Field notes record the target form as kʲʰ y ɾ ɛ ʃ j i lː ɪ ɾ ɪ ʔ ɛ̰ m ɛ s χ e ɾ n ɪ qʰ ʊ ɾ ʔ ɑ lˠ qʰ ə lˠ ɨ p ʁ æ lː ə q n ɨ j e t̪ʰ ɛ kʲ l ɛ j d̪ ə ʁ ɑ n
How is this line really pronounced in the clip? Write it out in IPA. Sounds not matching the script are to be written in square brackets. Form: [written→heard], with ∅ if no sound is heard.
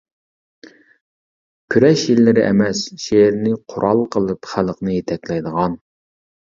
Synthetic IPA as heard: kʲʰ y ɾ ɛ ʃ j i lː ɪ ɾ ɪ ʔ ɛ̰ m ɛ s [χ→ʃ] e ɾ n ɪ qʰ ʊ ɾ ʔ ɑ lˠ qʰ ə lˠ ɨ p [ʁ→χ] æ [lː→l] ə q n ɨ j e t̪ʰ ɛ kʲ l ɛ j d̪ ə ʁ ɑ n